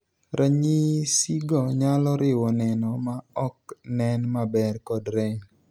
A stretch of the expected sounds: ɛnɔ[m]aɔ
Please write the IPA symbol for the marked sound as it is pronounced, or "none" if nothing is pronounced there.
m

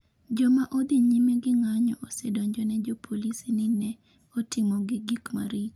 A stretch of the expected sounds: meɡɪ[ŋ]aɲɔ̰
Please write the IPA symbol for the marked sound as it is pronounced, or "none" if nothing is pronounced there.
ŋ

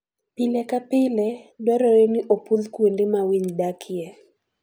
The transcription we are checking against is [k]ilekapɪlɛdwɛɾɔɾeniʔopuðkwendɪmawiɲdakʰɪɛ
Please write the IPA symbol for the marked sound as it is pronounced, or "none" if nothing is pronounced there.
p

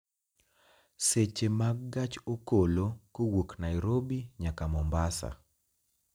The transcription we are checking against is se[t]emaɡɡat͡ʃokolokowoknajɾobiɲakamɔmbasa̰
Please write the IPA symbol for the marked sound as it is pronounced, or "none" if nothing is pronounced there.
t͡ʃ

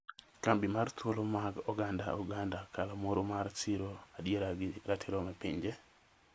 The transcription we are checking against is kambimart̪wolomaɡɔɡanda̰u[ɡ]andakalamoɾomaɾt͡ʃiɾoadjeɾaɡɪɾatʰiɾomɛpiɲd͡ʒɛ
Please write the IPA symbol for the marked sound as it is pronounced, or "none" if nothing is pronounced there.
ɡ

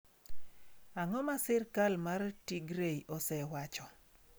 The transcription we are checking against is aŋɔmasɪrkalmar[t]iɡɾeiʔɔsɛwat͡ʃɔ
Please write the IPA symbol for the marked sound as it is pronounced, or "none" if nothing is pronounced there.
t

